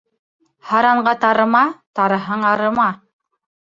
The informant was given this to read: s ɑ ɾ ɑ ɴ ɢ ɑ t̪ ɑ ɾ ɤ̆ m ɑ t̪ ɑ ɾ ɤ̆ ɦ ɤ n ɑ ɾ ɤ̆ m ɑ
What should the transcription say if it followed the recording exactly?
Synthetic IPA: h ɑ ɾ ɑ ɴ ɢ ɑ t̪ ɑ ɾ ɤ̆ m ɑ t̪ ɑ ɾ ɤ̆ ɦ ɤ ɴ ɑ ɾ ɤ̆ m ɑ